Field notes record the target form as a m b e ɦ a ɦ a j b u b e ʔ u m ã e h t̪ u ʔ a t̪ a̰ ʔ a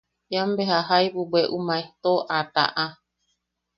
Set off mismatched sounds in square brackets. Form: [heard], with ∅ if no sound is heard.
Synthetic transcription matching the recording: a m b e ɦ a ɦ a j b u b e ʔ u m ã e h t̪ [o] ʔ a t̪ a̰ ʔ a